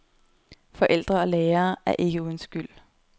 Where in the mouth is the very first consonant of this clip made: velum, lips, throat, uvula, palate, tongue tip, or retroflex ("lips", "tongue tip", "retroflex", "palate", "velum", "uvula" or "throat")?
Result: lips